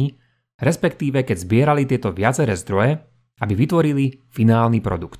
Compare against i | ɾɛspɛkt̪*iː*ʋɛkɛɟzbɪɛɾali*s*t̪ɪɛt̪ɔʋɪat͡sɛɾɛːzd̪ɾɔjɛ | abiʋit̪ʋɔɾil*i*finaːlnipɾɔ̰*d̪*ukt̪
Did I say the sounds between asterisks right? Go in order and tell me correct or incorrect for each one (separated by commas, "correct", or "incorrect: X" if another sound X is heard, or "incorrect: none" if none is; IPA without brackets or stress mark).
correct, incorrect: none, correct, correct